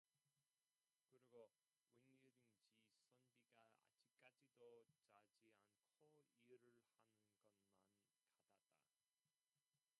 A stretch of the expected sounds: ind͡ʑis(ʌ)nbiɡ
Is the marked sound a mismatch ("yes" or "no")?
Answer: no